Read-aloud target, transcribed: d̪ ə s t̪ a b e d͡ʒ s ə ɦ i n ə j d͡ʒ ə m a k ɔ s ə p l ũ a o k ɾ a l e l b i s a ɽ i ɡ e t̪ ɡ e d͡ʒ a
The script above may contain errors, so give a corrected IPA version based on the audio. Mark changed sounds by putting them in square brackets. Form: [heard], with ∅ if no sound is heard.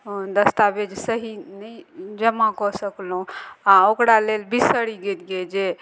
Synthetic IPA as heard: d̪ ə s t̪ a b e d͡ʒ s ə ɦ i n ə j d͡ʒ ə m a k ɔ s ə [k] l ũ a o k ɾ a l e l b i s [ə] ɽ i ɡ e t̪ ɡ e d͡ʒ [e]